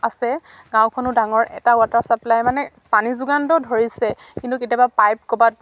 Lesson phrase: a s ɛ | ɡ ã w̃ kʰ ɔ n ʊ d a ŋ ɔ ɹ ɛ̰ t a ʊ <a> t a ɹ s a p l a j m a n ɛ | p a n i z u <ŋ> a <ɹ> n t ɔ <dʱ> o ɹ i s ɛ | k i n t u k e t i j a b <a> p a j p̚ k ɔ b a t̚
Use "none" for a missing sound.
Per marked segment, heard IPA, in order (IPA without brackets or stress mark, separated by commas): a, ɡ, none, dʱ, a